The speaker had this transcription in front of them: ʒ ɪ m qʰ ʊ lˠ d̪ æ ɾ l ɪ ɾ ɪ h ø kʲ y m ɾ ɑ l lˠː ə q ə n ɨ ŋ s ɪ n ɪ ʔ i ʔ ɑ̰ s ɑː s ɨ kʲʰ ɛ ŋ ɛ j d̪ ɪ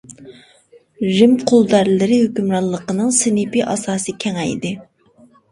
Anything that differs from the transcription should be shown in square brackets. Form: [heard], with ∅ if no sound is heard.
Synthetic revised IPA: ʒ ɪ m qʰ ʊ lˠ d̪ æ ɾ l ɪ ɾ ɪ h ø kʲ y m ɾ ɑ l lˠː ə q ə n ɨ ŋ s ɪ n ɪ [p] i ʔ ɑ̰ s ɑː s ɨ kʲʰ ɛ ŋ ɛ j d̪ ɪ